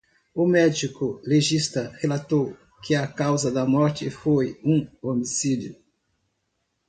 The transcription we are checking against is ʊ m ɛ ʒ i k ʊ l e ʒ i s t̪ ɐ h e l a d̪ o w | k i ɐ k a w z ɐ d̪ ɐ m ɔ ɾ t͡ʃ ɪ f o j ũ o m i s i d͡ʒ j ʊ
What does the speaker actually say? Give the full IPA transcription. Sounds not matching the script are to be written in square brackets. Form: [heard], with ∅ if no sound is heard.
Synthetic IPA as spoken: ʊ m ɛ [d͡ʒ] i k ʊ l e ʒ i s t̪ ɐ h e l a [t̪] o w | k [ɪ] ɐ k a w z ɐ d̪ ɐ m ɔ ɾ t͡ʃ ɪ f o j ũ o m i s i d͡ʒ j ʊ